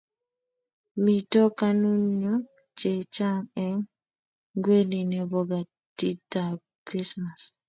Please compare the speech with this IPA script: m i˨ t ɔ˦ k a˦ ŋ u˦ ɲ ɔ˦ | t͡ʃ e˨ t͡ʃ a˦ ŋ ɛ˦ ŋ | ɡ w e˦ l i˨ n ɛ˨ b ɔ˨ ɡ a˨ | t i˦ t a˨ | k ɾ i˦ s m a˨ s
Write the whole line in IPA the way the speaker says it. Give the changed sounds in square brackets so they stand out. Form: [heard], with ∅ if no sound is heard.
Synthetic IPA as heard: m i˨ t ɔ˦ k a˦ [n] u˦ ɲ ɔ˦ | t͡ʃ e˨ t͡ʃ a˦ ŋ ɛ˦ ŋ | ɡ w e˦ l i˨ n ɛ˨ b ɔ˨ ɡ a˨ | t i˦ t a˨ | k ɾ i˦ s m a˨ s

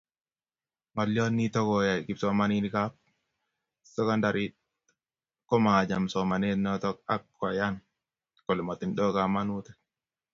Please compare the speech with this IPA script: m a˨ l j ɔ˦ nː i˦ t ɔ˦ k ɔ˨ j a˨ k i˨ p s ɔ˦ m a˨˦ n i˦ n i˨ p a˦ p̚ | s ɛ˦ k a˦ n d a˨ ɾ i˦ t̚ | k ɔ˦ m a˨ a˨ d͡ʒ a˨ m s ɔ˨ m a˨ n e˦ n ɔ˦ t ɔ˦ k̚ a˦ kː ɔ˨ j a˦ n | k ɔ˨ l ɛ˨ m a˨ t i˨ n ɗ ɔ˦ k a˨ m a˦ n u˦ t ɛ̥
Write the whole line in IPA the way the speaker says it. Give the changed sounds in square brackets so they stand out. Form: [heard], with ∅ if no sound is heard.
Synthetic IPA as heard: m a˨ l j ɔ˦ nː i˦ t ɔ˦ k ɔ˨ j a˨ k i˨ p s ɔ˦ m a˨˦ n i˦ n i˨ [k] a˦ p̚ | s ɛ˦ k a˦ n d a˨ ɾ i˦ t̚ | k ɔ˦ m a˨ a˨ d͡ʒ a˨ m s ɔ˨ m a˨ n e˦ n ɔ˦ t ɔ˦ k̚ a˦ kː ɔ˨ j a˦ n | k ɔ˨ l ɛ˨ m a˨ t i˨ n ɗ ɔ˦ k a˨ m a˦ n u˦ t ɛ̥

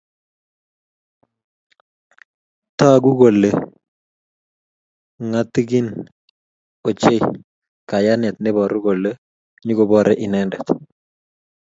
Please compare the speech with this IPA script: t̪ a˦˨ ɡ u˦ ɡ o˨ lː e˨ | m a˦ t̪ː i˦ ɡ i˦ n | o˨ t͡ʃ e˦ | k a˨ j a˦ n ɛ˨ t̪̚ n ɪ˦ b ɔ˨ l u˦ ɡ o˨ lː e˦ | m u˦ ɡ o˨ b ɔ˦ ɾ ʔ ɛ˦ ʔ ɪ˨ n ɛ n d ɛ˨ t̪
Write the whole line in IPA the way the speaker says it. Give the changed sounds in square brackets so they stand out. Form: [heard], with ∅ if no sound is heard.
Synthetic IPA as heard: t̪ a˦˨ ɡ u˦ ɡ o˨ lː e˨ | [ŋ] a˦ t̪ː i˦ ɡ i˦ n | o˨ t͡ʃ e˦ | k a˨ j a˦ n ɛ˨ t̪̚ n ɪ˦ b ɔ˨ [ɾ] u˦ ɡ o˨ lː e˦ | [ɲ] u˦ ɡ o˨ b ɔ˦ ɾ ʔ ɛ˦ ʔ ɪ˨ n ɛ n d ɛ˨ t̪

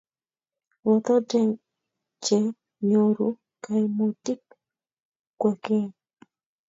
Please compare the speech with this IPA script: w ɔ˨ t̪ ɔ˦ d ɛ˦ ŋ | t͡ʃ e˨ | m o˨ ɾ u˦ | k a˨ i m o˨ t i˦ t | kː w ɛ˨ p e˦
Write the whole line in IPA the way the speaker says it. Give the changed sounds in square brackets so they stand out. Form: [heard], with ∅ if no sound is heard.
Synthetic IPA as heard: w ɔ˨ t̪ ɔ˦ d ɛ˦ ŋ | t͡ʃ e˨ | [ɲ] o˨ ɾ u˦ | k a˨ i m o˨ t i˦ [k] | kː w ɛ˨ [k] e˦

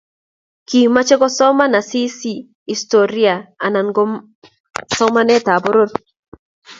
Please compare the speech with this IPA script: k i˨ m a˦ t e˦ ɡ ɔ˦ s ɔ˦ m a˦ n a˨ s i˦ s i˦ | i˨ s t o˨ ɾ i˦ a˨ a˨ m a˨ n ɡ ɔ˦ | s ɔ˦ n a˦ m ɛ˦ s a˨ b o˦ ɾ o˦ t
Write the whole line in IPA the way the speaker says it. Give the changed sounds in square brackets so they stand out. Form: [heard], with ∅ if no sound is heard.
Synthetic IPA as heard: k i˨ m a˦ [t͡ʃ] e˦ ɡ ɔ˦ s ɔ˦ m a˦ n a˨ s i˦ s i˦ | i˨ s t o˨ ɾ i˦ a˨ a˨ [n] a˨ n ɡ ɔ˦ | s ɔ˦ [m] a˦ [n] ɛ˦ [t] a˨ b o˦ ɾ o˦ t

